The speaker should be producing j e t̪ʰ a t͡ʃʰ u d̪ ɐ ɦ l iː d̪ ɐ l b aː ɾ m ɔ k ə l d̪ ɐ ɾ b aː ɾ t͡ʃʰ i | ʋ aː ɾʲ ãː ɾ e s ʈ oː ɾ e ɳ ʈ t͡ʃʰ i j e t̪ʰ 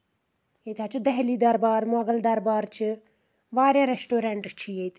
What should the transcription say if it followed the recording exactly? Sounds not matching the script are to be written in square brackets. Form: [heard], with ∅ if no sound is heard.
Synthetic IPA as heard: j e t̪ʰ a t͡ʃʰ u d̪ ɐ ɦ l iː d̪ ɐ [ɾ] b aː ɾ m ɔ [ɡ] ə l d̪ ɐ ɾ b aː ɾ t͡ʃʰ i | ʋ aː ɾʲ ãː ɾ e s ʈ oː ɾ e ɳ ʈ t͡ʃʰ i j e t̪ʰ